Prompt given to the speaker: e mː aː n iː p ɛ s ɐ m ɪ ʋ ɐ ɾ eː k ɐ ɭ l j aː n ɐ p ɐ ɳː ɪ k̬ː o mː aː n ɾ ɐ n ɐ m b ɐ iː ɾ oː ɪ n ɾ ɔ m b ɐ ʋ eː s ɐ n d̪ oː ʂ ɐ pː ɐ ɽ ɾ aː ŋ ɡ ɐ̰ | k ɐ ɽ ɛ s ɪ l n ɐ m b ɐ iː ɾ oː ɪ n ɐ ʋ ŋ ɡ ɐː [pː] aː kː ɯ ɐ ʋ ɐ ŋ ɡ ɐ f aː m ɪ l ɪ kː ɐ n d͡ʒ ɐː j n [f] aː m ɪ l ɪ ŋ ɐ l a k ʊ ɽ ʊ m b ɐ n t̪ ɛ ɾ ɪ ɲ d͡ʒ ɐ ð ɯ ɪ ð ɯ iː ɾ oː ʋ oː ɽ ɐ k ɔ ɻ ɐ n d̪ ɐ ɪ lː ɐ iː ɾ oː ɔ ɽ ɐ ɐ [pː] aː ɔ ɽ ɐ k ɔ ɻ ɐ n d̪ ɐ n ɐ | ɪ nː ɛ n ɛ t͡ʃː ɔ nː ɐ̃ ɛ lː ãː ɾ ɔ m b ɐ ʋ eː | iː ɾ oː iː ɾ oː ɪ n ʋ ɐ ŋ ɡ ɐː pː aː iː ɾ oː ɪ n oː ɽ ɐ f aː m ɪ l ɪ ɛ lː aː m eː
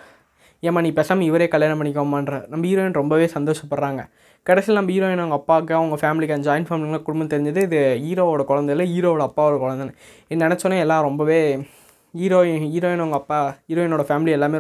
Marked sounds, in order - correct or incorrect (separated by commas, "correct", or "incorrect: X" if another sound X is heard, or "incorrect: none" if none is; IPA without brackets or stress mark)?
correct, correct, correct